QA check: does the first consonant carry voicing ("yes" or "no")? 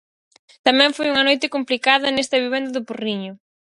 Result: no